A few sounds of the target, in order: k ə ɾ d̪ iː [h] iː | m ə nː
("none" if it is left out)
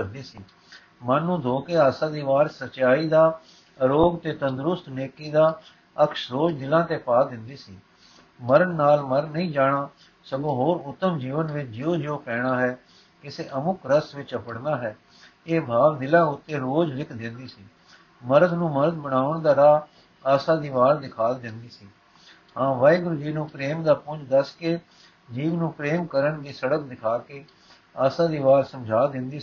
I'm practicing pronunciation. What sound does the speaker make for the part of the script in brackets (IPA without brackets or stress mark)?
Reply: s